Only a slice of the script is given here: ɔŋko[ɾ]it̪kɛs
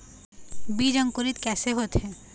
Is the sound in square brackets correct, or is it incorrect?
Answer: correct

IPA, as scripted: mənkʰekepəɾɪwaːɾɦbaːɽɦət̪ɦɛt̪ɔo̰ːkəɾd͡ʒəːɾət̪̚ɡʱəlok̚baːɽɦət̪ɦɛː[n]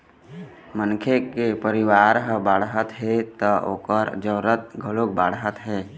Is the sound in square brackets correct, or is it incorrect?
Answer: incorrect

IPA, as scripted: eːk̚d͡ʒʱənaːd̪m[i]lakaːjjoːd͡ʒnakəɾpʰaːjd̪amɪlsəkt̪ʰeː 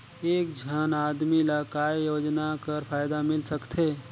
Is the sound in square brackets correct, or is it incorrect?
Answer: correct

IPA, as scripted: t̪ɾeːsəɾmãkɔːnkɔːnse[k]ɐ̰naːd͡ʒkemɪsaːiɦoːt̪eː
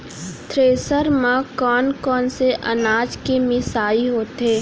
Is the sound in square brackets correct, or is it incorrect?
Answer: incorrect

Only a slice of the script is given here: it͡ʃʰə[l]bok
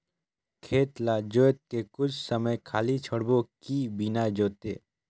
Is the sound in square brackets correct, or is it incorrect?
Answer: incorrect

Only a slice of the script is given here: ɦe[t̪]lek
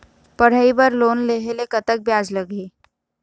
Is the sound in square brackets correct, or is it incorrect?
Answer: incorrect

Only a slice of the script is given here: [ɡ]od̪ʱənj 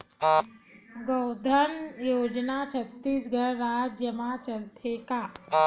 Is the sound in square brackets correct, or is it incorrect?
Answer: correct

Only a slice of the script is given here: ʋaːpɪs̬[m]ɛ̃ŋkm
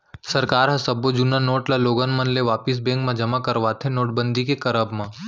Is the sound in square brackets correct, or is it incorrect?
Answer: incorrect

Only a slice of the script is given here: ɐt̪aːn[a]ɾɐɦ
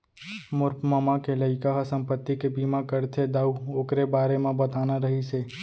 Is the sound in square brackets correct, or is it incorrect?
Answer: correct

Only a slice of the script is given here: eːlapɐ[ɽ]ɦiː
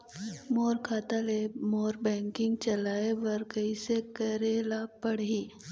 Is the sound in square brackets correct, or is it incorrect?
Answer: correct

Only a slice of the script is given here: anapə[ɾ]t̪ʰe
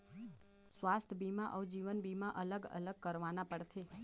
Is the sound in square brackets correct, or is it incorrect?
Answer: incorrect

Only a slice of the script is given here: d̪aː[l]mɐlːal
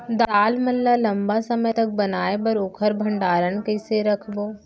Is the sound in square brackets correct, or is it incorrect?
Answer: correct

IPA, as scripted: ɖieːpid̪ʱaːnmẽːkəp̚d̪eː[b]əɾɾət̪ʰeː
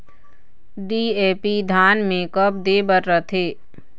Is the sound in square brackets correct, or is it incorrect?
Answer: correct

